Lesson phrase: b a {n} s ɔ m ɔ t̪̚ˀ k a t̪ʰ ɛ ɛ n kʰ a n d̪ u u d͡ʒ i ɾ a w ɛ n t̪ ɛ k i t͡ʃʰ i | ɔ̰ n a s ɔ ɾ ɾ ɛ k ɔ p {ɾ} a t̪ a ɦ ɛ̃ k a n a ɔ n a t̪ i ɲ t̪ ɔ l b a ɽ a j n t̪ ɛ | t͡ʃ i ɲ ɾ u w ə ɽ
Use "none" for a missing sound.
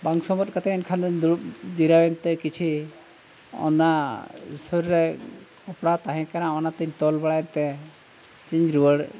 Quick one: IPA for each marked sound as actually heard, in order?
ŋ, ɽ

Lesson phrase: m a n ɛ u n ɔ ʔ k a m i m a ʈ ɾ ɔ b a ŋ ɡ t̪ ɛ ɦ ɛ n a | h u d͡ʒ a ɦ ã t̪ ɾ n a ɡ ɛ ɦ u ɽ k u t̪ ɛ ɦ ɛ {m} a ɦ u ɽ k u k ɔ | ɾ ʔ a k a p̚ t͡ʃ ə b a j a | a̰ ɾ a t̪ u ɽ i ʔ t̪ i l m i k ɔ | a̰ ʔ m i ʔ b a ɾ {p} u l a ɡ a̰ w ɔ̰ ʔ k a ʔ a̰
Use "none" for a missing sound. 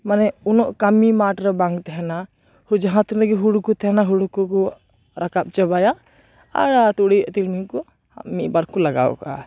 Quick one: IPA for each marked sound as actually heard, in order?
n, k

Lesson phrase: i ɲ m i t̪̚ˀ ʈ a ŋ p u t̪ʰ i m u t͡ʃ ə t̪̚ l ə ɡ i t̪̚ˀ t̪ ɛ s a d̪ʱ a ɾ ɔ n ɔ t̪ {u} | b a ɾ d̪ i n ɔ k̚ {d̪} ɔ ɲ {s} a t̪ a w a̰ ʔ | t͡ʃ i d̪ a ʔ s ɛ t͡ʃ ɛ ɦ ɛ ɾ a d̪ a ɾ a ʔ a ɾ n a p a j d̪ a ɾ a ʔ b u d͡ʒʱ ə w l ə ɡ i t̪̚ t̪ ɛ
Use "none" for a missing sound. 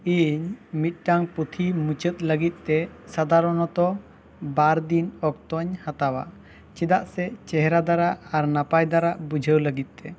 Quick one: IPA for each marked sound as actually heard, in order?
ɔ, t̪, h

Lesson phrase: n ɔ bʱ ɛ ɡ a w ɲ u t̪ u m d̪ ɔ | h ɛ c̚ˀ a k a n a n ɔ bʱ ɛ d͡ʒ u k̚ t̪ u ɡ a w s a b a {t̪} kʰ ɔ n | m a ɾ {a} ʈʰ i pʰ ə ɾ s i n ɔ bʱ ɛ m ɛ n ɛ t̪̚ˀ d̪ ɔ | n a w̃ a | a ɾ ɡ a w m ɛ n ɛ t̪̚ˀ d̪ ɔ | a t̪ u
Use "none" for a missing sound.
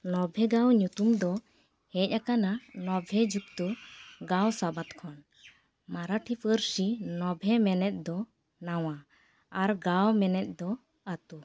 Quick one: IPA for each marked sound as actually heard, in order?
t̪, a

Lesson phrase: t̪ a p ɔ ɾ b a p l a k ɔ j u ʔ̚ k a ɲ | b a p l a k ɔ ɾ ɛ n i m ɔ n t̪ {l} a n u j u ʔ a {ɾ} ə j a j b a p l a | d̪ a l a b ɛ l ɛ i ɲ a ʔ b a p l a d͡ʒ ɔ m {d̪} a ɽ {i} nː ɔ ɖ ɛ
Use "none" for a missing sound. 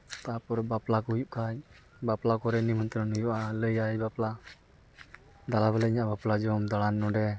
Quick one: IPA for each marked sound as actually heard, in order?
ɾ, l, d̪, a

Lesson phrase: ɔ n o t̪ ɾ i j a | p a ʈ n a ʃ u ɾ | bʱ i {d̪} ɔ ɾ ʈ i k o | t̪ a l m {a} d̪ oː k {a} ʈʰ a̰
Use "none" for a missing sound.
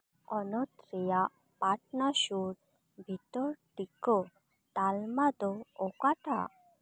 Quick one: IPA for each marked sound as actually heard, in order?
t̪, a, a

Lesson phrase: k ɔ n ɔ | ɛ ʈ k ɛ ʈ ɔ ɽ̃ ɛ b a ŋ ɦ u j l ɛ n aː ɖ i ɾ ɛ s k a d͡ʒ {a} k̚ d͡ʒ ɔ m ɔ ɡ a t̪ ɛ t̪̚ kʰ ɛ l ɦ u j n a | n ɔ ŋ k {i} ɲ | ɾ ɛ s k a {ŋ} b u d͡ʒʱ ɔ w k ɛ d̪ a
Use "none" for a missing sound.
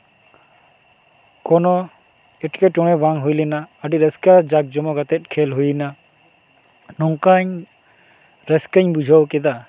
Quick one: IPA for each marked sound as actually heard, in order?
a, a, ɲ

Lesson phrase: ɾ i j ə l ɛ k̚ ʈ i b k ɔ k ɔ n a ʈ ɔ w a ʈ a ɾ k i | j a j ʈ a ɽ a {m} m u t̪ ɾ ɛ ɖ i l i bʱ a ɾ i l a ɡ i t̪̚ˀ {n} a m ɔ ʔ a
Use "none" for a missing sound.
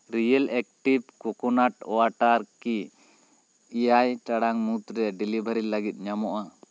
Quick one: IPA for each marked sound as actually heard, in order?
ŋ, ɲ

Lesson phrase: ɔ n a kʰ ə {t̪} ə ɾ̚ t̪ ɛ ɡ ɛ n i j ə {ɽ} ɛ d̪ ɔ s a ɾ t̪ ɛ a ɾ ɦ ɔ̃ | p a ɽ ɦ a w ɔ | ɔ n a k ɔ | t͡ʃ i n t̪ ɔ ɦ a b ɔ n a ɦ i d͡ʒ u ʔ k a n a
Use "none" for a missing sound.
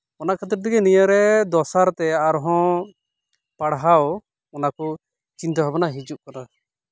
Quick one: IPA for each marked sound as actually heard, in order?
t̪, ɾ

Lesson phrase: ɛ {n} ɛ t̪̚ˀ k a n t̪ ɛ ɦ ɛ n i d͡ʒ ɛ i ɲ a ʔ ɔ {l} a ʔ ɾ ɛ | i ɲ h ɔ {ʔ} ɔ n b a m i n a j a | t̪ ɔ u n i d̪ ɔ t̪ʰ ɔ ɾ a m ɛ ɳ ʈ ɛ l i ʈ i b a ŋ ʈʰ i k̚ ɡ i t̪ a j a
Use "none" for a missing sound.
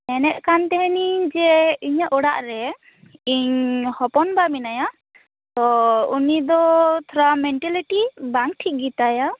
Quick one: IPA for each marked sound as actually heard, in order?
n, ɽ, p

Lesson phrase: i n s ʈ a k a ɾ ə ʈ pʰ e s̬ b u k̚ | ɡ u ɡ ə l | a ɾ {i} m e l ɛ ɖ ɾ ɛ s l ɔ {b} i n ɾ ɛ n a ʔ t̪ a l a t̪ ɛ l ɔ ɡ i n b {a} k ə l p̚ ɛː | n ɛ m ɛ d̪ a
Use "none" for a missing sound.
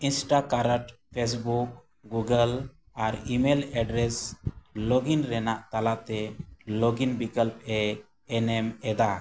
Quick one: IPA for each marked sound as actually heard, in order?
i, ɡ, i

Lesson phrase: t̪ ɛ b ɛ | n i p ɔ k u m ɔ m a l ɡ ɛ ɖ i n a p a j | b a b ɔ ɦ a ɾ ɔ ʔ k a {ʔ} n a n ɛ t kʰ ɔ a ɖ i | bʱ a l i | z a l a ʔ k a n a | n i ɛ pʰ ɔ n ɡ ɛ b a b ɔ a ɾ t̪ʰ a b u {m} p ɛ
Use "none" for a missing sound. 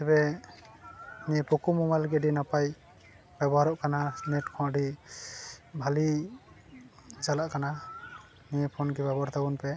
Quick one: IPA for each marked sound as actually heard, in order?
none, n

